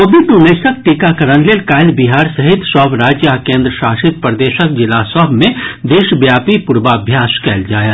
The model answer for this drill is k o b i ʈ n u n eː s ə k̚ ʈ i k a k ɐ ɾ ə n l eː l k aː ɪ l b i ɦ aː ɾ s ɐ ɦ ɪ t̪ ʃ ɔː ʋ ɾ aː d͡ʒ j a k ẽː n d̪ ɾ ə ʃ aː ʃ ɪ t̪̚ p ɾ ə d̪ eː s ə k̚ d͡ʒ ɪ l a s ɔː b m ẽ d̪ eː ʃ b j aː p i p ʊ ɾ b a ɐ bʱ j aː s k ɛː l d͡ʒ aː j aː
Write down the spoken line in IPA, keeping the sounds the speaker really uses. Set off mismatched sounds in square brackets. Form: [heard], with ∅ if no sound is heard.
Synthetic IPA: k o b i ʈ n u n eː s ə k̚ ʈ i k a k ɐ ɾ ə n l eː l k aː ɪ l b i ɦ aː ɾ s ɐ ɦ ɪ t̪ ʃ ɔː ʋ ɾ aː d͡ʒ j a k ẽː n d̪ ɾ ə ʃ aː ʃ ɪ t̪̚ p ɾ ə d̪ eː [ʃ] ə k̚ d͡ʒ ɪ l a s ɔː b m ẽ d̪ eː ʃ b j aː p i p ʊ ɾ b a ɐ bʱ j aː s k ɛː l d͡ʒ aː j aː